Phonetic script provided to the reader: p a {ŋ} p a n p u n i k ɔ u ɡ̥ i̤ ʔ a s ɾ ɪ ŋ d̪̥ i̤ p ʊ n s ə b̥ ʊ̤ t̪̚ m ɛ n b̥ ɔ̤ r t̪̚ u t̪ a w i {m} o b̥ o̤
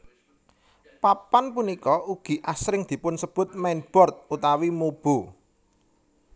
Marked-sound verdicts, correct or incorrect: incorrect, correct

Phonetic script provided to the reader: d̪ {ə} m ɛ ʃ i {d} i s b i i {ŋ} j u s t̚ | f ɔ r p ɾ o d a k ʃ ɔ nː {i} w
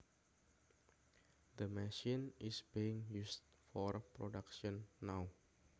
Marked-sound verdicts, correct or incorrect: correct, incorrect, correct, incorrect

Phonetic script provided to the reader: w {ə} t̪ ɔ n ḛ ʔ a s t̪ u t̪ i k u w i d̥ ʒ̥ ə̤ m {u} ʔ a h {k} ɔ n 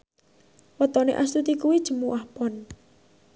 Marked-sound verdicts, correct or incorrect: correct, correct, incorrect

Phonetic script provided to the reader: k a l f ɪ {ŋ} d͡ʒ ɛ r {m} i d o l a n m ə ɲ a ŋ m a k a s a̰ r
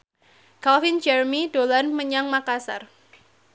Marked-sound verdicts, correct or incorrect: incorrect, correct

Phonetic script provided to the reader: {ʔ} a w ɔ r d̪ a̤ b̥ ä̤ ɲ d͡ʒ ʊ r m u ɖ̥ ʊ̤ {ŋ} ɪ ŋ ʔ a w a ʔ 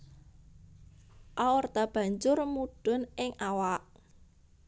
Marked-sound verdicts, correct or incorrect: correct, incorrect

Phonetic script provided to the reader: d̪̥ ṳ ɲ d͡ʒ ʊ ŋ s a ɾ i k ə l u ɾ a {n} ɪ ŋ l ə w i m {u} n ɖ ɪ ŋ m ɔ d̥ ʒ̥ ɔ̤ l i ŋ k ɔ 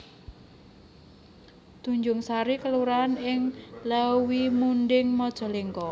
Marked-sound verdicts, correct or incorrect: correct, correct

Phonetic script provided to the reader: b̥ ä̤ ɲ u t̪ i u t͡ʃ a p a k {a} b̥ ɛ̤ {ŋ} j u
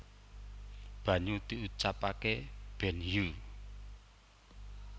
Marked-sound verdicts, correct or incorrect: incorrect, incorrect

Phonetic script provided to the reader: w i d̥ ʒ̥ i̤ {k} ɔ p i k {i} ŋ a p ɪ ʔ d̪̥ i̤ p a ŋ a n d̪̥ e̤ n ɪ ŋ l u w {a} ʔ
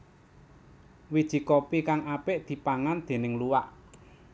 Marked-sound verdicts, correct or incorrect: correct, incorrect, correct

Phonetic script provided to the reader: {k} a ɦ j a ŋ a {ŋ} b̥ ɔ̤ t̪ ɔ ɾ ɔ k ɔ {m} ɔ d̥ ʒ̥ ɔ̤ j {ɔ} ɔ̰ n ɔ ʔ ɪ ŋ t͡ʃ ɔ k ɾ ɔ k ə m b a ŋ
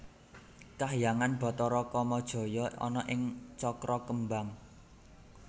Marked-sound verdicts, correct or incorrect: correct, incorrect, correct, correct

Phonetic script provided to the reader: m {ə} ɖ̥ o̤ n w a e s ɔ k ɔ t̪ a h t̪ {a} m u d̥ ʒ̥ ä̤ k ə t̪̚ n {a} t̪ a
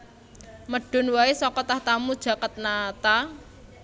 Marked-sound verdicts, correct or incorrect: correct, correct, correct

